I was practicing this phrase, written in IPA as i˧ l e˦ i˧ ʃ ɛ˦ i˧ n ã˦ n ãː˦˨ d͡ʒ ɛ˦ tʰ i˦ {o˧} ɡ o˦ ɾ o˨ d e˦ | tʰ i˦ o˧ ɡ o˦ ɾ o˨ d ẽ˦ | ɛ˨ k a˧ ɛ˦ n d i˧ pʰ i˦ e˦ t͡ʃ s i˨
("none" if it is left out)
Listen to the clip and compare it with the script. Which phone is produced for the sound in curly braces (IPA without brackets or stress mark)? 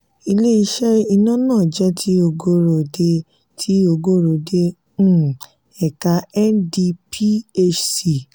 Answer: o˧